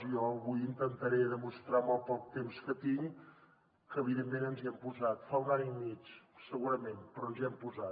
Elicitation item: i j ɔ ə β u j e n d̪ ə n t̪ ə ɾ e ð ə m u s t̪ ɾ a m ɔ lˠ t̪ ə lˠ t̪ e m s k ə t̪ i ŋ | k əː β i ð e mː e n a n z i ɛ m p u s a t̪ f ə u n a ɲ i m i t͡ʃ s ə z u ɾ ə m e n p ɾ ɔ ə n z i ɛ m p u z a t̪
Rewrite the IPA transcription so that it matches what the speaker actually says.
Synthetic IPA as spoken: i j ɔ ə β u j i n t̪ ə n t̪ ə ɾ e ð ə m u s t̪ ɾ a m ɔ lˠ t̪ ə lˠ t̪ e m s k ə t̪ i ŋ | k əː β i ð e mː e n ə n z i ɛ m p u z a t̪ f a u n a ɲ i m i t͡ʃ s ə ɣ u ɾ ə m e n p ɾ ɔ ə n z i ɛ m p u z a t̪